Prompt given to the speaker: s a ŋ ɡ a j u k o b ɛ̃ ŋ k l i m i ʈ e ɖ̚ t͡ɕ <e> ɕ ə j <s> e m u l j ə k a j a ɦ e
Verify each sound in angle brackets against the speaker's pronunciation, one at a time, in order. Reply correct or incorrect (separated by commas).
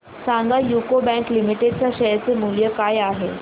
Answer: incorrect, incorrect